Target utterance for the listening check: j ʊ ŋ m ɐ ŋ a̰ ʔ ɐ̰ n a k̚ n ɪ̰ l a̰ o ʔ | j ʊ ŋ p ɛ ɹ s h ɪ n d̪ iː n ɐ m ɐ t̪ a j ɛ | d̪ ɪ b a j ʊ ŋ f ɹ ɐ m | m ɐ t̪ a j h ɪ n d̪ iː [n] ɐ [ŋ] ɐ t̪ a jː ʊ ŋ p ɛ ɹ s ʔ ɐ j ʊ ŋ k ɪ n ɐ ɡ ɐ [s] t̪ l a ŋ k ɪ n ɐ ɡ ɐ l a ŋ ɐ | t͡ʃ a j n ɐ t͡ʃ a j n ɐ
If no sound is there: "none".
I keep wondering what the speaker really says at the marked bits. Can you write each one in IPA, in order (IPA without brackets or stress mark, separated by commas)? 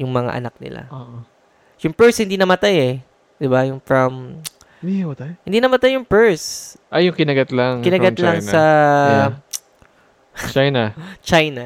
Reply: n, m, none